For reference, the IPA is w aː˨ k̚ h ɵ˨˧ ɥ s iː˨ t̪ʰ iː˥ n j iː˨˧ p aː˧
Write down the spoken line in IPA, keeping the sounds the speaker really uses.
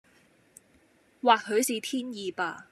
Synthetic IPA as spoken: w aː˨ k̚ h ɵ˨˧ ɥ s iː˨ t̪ʰ iː˥ n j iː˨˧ p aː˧